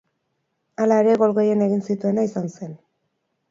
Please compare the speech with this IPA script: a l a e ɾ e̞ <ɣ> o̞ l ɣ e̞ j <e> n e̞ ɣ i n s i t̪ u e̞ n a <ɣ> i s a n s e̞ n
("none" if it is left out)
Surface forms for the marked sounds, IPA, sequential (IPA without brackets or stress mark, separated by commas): ɣ, e, none